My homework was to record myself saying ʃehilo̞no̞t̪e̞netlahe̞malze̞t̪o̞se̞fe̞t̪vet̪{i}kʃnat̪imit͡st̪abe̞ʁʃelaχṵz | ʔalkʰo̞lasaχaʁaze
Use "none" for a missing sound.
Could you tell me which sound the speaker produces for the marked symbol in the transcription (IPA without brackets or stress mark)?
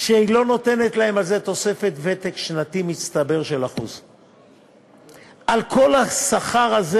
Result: e